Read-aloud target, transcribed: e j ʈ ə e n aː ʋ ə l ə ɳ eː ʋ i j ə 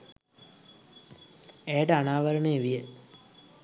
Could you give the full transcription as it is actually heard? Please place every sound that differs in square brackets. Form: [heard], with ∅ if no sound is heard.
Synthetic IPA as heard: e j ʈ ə [a] n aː ʋ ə [ɾ] ə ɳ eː ʋ i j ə

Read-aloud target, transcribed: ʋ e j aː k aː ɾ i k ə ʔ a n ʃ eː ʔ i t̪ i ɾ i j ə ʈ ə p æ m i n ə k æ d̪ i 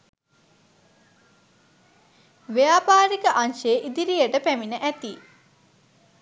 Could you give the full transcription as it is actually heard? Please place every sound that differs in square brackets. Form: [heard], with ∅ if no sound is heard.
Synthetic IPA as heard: ʋ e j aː [p] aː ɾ i k ə ʔ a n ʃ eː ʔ i [d̪] i ɾ i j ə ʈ ə p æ m i n ə [ʔ] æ [t̪] i

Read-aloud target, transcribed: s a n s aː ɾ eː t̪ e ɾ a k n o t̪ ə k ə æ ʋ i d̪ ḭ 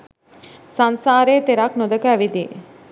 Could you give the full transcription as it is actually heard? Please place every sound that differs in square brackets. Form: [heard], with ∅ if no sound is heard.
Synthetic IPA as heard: s a n s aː ɾ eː t̪ e ɾ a k n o [d̪] ə k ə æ ʋ i d̪ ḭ

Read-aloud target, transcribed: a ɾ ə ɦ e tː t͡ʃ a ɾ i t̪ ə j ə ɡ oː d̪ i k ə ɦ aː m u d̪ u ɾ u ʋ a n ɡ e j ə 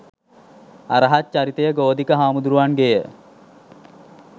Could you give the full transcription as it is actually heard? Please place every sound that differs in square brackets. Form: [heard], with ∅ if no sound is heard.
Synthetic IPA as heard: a ɾ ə ɦ [a] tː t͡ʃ a ɾ i t̪ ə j ə ɡ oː d̪ i k ə ɦ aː m u d̪ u ɾ u ʋ a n ɡ e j ə

